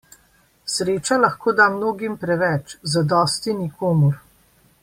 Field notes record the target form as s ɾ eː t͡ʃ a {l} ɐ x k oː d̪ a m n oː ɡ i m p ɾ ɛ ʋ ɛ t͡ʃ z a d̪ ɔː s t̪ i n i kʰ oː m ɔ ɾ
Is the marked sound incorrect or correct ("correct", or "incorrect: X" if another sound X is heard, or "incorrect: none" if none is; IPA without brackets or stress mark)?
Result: correct